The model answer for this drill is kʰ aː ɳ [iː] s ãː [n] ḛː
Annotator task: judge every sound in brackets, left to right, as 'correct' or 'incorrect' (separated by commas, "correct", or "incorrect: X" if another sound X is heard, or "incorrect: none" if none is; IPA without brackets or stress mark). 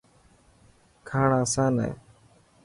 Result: incorrect: aː, correct